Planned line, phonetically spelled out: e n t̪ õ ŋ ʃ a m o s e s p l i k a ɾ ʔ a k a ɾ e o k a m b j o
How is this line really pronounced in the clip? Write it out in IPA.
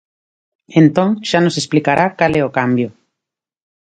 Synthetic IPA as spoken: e n t̪ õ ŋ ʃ a n o s e s p l i k a ɾ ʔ a k a l e o k a m b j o

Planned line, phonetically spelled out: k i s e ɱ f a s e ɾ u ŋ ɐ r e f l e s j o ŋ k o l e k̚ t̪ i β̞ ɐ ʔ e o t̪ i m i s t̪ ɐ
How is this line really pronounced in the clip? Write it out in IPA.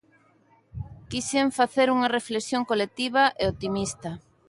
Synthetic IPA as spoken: k i s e ɱ f a θ e ɾ u ŋ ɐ r e f l e s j o ŋ k o l e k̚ t̪ i β̞ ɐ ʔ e o t̪ i m i s t̪ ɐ

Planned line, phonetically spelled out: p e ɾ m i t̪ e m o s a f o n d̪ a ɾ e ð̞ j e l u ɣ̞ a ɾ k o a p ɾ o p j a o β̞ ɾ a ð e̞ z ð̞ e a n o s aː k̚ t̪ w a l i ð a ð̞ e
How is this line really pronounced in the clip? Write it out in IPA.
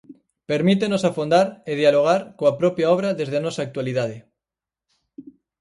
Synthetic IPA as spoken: p e ɾ m i t̪ e n o s a f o n d̪ a ɾ e ð̞ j a l o ɣ̞ a ɾ k o a p ɾ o p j a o β̞ ɾ a ð e̞ z ð̞ e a n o s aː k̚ t̪ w a l i ð a ð̞ e

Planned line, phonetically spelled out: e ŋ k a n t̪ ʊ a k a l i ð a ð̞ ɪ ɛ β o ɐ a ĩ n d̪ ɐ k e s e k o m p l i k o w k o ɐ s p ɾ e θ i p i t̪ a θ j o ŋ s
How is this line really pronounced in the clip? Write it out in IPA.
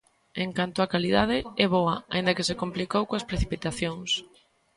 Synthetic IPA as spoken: e ŋ k a n t̪ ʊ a k a l i ð a ð̞ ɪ ɛ β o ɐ a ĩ n d̪ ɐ k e s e k o m p l i k o w k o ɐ s p ɾ e θ i p i t̪ a θ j o ŋ s

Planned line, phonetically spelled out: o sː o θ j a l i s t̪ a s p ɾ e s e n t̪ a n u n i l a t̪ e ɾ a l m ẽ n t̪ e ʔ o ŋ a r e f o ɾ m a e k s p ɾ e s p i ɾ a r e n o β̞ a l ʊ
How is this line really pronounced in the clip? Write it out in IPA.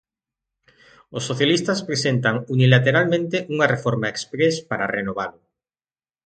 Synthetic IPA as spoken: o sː o θ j a l i s t̪ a s p ɾ e s e n t̪ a ŋ u n i l a t̪ e ɾ a l m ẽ n t̪ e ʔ u ŋ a r e f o ɾ m a e k s p ɾ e s p a ɾ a r e n o β̞ a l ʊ

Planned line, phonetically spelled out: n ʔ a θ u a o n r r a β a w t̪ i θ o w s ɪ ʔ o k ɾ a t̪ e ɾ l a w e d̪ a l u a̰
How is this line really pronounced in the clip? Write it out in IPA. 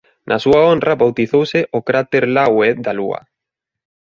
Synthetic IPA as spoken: n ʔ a s u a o n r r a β a w t̪ i θ o w s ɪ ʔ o k ɾ a t̪ e ɾ l a w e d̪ a l u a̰

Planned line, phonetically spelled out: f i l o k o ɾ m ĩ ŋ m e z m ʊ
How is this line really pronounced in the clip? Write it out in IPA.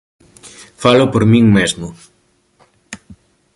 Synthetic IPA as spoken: f a l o p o ɾ m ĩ ŋ m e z m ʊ

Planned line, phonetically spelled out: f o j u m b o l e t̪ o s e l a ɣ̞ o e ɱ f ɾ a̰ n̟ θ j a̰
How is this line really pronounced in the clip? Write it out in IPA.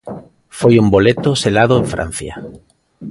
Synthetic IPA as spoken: f o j u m b o l e t̪ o s e l a ð̞ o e ɱ f ɾ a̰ n̟ θ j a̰

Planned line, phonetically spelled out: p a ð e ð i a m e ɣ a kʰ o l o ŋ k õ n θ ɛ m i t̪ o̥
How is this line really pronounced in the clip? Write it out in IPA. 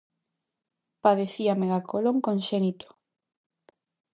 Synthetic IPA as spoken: p a ð e θ i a m e ɣ a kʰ o l o ŋ k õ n ʃ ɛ n i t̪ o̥

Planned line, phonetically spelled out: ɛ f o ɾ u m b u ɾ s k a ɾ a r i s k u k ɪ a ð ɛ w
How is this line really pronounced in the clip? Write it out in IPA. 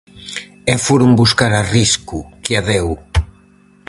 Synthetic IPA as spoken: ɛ f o ɾ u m b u s k a ɾ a r i s k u k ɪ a ð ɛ w

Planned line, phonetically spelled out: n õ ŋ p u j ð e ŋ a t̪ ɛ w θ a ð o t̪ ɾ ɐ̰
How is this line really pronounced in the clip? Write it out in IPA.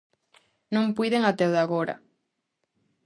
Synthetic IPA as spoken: n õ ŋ p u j ð e ŋ a t̪ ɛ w ð a ɣ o ɾ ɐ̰

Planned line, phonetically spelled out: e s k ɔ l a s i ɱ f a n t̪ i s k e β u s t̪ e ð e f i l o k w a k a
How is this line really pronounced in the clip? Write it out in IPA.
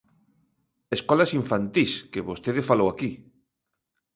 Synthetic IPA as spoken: e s k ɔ l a s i ɱ f a n t̪ i s k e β o s t̪ e ð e f a l o w a k i

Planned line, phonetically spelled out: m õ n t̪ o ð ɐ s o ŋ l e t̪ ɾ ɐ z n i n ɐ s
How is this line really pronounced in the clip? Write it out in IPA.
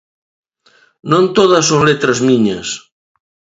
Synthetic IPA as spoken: n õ n t̪ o ð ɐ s o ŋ l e t̪ ɾ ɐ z m i ɲ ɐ s

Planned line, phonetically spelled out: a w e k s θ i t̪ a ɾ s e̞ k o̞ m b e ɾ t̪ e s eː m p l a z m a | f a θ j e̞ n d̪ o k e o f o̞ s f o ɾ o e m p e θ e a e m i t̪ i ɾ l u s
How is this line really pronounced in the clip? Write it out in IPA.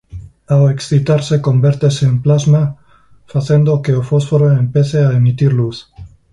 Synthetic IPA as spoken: a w e k s θ i t̪ a ɾ s e̞ k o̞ m b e ɾ t̪ e s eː m p l a z m a | f a θ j e̞ n d̪ o k e o f o̞ s f o ɾ o e m p e θ e a e m i t̪ i ɾ l u θ

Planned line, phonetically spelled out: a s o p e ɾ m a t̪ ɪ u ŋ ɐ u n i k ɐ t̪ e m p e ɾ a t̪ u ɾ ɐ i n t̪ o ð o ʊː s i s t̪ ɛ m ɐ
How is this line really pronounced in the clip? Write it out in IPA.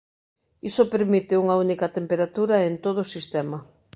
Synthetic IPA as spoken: i s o p e ɾ m i t̪ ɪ u ŋ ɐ u n i k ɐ t̪ e m p e ɾ a t̪ u ɾ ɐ e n t̪ o ð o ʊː s i s t̪ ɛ m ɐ

